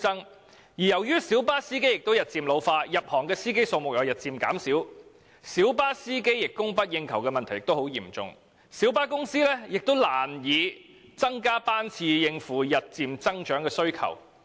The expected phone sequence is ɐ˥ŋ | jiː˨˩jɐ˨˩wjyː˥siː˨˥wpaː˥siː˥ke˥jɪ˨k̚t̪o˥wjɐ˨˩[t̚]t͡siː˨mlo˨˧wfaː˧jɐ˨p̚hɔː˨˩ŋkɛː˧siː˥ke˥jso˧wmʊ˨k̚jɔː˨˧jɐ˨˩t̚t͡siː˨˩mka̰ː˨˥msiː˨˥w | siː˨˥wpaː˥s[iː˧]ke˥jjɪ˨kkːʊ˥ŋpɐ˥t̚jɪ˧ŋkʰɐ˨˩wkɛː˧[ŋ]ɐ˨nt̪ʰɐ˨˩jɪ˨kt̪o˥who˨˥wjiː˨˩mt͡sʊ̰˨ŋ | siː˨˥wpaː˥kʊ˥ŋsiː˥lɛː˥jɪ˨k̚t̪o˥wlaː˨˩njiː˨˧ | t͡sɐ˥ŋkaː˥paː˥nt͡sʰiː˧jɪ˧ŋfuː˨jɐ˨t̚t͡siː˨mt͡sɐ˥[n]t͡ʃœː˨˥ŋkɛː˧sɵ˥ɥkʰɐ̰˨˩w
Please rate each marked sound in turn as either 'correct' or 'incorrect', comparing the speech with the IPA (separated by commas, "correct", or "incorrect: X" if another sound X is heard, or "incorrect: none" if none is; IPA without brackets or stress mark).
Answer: correct, incorrect: iː˥, incorrect: m, incorrect: ŋ